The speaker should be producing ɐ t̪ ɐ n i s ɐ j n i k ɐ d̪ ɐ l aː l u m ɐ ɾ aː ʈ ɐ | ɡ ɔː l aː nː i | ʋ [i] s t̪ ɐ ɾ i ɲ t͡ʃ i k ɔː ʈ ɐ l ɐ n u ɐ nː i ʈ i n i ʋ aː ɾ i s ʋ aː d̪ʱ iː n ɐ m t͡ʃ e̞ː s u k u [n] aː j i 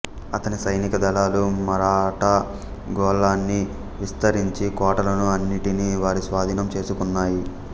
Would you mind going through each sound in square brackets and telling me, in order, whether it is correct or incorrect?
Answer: correct, incorrect: nː

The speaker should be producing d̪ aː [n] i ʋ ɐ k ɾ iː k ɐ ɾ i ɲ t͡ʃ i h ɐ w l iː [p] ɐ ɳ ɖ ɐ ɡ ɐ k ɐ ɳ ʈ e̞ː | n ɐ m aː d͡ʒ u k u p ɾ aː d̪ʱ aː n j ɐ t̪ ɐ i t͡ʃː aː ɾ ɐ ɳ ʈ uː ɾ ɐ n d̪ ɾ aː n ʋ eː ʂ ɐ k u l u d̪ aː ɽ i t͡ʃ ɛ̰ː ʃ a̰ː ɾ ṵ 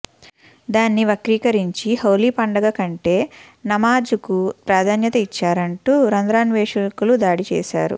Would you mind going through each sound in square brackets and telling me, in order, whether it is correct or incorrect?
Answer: incorrect: nː, correct

